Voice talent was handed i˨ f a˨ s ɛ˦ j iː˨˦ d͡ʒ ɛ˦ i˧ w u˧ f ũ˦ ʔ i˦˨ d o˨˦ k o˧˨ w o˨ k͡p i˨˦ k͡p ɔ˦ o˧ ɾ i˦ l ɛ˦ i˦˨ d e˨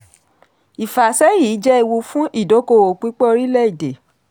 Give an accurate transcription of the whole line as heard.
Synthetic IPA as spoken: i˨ f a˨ s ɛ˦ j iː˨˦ d͡ʒ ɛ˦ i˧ w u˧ f ũ˦ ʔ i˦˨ d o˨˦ k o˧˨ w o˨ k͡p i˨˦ k͡p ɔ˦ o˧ ɾ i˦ l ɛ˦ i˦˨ d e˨